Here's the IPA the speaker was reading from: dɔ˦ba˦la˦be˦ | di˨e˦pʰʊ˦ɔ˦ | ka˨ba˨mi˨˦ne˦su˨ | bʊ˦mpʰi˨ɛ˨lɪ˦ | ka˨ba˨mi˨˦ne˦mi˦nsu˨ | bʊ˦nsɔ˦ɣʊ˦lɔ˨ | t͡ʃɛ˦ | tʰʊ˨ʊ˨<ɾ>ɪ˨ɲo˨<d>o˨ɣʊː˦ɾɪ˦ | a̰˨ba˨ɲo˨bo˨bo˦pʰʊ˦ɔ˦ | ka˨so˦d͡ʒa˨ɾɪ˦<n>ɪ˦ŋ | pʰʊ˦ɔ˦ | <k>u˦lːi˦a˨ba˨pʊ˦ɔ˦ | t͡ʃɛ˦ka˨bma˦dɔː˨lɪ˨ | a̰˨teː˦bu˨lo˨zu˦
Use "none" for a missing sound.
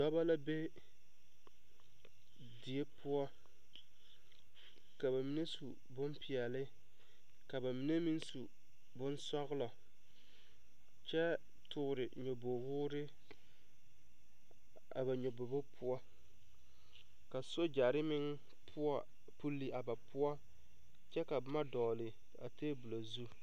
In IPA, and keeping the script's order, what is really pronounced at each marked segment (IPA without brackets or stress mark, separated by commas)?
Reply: ɾ, b, m, p